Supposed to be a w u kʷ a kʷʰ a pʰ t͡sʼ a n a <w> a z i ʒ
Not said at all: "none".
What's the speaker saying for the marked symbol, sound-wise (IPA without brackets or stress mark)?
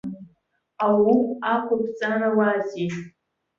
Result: w